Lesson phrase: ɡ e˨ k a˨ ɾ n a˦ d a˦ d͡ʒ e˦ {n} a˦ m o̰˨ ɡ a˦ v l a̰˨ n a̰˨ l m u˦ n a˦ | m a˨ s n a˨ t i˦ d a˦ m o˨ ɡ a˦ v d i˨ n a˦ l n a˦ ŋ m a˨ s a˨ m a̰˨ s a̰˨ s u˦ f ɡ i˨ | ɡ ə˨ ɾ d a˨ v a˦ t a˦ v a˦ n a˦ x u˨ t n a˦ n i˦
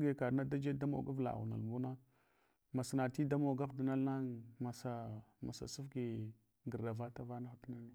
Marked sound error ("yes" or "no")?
yes